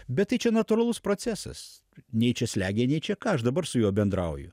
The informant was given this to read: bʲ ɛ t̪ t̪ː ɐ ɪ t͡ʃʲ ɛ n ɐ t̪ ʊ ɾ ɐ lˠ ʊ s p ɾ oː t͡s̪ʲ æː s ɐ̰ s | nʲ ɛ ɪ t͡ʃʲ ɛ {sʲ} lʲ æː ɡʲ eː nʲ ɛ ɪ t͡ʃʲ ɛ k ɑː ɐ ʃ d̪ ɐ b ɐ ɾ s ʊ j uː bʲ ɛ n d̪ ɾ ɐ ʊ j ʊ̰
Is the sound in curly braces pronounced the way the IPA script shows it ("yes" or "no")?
yes